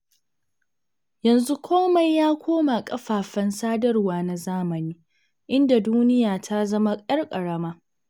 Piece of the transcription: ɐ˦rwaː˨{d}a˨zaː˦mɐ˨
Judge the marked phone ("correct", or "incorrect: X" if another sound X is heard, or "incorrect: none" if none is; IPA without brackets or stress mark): incorrect: n